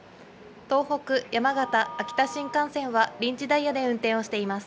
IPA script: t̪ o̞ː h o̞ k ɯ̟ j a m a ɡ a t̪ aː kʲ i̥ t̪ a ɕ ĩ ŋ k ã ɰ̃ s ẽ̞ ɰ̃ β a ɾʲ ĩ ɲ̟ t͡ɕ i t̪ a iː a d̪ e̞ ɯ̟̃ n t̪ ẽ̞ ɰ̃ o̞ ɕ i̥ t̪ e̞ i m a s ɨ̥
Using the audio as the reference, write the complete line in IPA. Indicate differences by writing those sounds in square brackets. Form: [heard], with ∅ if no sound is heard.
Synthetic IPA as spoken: t̪ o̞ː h o̞ k ɯ̟ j a m a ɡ a t̪ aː kʲ i̥ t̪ a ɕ ĩ ŋ k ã ɰ̃ s ẽ̞ ɰ̃ β a ɾʲ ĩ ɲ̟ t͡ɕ i [d̪] a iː a d̪ e̞ ɯ̟̃ n t̪ ẽ̞ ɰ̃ o̞ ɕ i̥ t̪ e̞ i m a s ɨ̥